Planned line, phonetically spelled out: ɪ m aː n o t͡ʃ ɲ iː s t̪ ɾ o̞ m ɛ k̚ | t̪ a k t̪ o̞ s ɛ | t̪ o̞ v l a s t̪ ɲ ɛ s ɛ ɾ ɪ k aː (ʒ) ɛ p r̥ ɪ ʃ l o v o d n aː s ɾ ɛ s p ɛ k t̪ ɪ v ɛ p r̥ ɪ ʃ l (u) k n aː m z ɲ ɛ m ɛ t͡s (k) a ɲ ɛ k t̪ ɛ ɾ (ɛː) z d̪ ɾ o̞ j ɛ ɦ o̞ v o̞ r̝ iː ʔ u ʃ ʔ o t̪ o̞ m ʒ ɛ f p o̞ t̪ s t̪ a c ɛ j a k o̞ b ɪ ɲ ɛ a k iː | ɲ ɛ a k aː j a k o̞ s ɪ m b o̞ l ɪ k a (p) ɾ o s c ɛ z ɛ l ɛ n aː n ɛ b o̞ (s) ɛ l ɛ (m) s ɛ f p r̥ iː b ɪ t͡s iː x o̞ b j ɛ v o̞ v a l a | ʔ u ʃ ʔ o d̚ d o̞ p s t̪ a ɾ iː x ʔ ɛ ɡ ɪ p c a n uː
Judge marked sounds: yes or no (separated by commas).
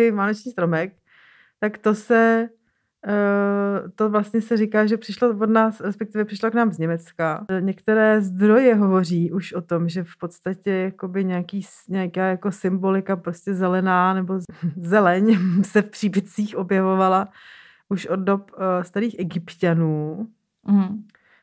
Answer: yes, no, yes, yes, yes, no, no